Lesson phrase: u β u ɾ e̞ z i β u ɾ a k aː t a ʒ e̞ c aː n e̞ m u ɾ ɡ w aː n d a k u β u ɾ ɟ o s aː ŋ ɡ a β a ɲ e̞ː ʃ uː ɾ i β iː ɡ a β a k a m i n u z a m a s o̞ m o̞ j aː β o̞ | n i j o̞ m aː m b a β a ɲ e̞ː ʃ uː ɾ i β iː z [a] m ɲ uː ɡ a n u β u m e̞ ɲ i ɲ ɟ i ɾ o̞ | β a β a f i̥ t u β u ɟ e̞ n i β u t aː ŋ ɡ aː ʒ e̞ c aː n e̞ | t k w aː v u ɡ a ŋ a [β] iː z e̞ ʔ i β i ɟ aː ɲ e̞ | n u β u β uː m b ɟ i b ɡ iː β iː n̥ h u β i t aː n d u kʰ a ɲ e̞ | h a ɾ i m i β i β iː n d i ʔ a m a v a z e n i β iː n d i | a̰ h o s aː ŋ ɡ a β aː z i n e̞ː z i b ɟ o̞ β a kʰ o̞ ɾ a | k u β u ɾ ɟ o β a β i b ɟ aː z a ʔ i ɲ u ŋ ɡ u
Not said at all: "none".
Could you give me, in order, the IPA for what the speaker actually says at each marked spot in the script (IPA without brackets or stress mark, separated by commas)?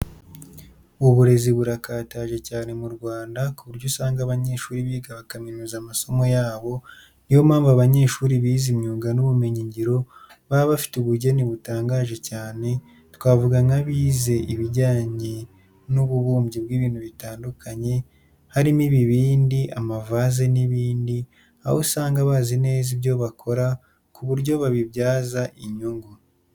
i, β